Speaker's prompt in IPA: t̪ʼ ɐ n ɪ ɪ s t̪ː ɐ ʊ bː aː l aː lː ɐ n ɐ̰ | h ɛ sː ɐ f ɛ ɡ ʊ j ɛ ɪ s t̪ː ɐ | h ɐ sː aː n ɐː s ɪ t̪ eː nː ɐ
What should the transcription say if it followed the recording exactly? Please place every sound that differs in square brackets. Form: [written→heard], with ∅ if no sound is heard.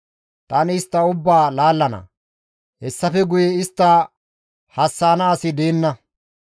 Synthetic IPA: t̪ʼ ɐ n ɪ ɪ s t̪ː ɐ ʊ bː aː l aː lː ɐ n ɐ̰ | h ɛ sː ɐ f ɛ ɡ ʊ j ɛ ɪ s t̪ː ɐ | h ɐ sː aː n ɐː s ɪ [t̪→d̪] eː nː ɐ